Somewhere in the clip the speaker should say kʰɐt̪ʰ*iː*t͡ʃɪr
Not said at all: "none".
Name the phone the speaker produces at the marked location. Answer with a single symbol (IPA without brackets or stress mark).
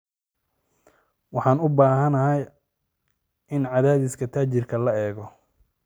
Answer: aː